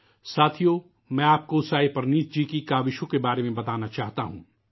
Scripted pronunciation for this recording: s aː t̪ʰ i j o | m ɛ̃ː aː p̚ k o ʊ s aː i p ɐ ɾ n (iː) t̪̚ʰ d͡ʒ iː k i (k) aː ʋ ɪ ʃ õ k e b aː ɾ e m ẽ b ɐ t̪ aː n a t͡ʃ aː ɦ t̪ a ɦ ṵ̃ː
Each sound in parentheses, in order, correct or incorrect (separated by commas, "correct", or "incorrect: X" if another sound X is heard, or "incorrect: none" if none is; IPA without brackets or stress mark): correct, correct